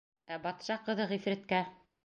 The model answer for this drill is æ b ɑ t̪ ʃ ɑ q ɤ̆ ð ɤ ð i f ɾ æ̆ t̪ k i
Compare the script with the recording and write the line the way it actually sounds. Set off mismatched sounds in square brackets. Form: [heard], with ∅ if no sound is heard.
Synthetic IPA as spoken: æ b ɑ t̪ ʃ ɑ q ɤ̆ ð ɤ [ʁ] i f ɾ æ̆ t̪ k [æ]